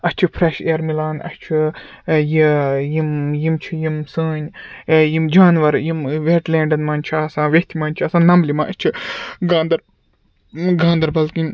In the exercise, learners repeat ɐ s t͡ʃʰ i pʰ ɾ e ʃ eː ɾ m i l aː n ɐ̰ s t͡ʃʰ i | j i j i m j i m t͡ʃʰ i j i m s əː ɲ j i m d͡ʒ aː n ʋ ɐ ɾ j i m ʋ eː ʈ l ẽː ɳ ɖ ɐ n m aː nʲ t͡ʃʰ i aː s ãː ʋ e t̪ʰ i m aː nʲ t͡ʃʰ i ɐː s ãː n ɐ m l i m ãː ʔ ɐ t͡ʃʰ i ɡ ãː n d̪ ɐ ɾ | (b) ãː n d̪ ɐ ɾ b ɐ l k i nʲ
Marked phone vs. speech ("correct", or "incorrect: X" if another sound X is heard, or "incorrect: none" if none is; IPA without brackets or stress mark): incorrect: ɡ